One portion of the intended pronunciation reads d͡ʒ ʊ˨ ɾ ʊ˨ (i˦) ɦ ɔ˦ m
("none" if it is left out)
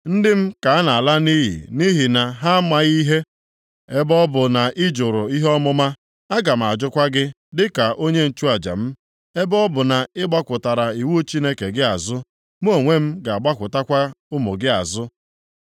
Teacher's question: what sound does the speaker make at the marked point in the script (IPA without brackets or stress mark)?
i˦